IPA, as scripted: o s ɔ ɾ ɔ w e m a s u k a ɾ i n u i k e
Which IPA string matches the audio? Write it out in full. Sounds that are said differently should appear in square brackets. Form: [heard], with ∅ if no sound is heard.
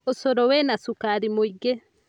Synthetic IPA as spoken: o s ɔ ɾ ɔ w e [n] a s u k a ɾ i [m] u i [ɡ] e